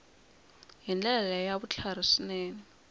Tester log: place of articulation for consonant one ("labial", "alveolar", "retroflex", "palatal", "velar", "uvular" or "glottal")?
glottal